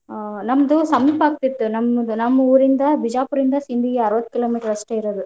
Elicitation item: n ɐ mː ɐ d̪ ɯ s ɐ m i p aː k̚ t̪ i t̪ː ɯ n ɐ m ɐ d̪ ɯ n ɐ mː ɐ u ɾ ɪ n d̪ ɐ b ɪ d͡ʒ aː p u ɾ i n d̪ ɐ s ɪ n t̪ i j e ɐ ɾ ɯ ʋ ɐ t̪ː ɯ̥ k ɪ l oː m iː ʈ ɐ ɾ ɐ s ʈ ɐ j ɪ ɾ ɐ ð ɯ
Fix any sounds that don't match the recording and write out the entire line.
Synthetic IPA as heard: n ɐ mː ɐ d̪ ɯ s ɐ m i p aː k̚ t̪ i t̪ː ɯ n ɐ m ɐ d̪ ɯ n ɐ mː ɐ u ɾ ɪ n d̪ ɐ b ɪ d͡ʒ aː p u ɾ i n d̪ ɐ s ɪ n d̪ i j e ɐ ɾ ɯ ʋ ɐ t̪ː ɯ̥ k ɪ l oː m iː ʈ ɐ ɾ ɐ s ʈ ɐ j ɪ ɾ ɐ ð ɯ